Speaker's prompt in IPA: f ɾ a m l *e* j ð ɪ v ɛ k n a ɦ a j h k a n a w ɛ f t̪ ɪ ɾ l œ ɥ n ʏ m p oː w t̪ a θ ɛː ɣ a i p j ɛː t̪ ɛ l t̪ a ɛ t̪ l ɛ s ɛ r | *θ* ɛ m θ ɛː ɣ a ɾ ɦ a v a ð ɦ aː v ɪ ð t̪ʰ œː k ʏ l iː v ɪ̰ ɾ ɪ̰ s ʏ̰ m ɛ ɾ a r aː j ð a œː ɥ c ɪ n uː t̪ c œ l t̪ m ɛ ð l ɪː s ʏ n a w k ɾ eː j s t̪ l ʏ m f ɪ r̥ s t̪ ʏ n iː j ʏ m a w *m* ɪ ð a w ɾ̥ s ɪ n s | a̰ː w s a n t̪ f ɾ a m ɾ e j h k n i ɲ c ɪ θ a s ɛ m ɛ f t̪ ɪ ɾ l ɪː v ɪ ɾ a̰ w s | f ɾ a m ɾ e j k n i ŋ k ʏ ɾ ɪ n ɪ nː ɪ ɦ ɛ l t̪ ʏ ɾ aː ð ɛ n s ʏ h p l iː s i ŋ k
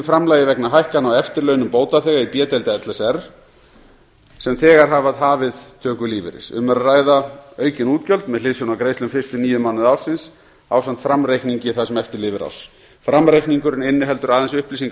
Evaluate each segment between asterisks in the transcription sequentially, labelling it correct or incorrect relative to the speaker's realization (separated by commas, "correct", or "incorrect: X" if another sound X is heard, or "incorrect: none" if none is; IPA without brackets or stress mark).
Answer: incorrect: a, incorrect: s, incorrect: n